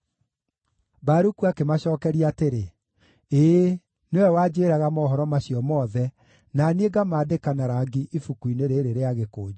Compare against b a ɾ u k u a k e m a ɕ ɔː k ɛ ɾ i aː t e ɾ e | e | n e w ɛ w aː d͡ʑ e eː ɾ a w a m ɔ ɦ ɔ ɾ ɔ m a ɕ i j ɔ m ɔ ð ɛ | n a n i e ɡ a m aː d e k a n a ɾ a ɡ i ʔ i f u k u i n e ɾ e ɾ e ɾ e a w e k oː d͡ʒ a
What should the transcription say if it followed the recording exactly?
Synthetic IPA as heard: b a ɾ u k u a k e m a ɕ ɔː k ɛ ɾ i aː t e ɾ e | e | n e w ɛ w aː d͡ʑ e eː ɾ a ɣ a m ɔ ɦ ɔ ɾ ɔ m a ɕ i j ɔ m ɔ ð ɛ | n a n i e ɡ a m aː d e k a n a ɾ a ɡ i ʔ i f u k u i n e ɾ e ɾ e ɾ e a ɣ e k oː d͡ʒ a